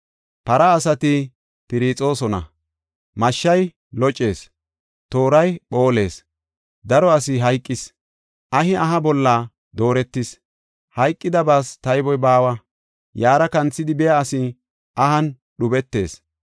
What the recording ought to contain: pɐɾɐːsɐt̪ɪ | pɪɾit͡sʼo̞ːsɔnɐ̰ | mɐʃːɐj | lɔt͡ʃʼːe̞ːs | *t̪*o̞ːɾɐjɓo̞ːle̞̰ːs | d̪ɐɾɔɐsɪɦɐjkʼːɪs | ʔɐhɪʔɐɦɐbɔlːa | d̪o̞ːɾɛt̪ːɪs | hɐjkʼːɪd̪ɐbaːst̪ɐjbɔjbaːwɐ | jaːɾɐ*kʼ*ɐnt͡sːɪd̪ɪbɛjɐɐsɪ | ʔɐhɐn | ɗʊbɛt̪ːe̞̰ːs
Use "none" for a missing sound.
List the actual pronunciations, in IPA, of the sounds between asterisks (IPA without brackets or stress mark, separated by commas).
t̪, k